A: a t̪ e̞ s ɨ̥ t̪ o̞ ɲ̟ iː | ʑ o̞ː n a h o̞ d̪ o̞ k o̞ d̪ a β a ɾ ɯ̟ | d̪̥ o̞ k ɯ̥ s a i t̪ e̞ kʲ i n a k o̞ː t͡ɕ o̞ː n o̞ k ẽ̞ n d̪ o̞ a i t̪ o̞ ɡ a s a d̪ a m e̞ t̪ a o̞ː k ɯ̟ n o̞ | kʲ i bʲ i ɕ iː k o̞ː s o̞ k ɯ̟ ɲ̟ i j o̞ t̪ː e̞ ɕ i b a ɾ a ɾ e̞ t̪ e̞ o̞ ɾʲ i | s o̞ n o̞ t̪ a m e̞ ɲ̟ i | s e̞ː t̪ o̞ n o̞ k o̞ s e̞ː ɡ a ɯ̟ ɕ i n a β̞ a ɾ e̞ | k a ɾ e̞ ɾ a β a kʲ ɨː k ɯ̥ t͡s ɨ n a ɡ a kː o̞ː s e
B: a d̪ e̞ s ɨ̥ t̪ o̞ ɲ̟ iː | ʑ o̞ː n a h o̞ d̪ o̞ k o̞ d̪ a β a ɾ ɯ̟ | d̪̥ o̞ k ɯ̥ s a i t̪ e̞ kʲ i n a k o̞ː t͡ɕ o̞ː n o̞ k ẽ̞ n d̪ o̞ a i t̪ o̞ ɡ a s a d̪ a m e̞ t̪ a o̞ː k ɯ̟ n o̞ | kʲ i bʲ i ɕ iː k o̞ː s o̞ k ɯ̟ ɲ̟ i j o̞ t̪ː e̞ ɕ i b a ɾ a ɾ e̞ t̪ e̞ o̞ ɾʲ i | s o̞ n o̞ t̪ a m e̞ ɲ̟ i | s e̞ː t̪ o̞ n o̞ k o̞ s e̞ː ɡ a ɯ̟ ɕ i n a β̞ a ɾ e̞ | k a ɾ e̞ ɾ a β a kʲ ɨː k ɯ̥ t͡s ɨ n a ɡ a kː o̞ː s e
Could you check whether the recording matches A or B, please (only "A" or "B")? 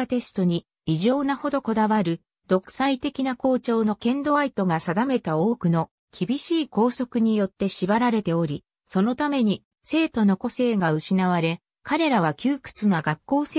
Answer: A